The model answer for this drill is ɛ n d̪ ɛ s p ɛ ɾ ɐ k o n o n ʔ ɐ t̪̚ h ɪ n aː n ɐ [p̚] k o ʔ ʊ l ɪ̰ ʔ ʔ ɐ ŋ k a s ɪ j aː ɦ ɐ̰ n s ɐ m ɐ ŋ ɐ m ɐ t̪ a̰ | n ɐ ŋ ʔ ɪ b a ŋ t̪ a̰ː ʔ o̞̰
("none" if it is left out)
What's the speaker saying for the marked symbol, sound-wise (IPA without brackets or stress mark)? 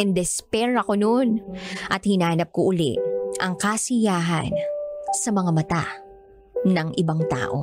p̚